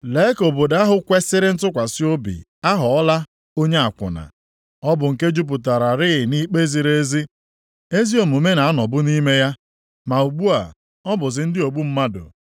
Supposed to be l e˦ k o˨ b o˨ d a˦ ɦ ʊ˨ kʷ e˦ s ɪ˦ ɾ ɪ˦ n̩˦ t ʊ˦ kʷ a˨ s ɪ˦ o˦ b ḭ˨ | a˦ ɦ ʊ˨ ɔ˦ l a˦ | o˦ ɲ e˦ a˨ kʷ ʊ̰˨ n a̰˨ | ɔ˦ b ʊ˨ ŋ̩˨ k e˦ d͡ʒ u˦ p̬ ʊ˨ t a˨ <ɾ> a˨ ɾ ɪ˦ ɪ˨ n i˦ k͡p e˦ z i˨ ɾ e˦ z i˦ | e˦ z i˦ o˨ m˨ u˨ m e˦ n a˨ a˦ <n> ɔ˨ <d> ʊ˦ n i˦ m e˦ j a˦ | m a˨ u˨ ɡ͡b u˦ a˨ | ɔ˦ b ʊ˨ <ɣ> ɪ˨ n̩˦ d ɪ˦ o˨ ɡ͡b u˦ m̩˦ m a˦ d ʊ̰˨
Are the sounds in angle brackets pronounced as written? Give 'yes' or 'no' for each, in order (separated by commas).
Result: yes, yes, no, no